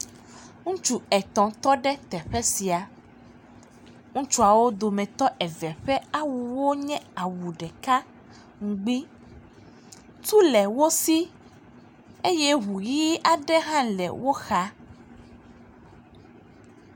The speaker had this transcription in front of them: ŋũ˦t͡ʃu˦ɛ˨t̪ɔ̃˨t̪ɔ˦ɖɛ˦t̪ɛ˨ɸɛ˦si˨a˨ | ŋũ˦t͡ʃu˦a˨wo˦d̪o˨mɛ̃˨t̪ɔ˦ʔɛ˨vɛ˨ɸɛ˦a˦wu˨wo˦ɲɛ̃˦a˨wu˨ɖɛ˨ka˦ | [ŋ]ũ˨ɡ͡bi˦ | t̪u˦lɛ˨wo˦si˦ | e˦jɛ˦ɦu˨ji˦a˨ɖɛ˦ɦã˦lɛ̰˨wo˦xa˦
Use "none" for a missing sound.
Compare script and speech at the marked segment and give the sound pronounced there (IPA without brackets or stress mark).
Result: ŋ